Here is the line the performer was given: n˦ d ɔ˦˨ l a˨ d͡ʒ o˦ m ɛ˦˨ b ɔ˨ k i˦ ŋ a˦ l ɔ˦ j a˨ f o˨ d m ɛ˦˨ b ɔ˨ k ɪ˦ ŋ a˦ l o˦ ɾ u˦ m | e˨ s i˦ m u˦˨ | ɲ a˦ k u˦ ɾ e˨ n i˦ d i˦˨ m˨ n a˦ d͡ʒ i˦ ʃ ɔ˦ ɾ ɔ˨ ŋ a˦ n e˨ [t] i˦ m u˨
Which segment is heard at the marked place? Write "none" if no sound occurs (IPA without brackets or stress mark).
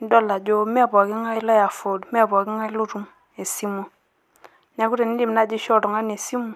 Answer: s